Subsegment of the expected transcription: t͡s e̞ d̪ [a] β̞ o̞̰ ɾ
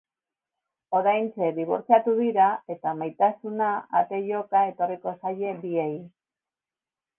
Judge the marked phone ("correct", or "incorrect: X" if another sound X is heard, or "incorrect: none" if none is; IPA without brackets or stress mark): incorrect: i